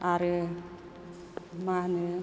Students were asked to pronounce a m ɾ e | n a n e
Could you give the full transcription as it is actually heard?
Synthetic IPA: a ɾ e | m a n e